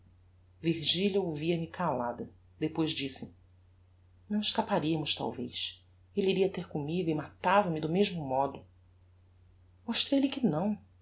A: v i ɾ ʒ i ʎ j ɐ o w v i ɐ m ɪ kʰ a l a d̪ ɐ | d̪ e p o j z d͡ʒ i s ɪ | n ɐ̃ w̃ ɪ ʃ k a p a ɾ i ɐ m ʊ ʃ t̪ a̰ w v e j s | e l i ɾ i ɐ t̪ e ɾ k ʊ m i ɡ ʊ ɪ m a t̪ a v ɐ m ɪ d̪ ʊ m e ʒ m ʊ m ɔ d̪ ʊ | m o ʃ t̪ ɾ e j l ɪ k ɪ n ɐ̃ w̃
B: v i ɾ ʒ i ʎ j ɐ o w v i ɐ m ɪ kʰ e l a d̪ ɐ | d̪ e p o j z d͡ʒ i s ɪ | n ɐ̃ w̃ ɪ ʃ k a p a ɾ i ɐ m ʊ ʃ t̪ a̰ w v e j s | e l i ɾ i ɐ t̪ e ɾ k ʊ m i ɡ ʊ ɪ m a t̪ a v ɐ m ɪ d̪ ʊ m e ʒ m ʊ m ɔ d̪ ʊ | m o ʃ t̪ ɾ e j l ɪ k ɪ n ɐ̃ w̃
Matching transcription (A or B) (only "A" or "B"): A